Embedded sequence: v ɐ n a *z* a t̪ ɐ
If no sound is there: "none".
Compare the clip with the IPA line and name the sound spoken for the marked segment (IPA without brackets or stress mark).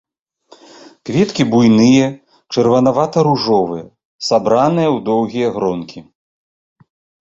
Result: v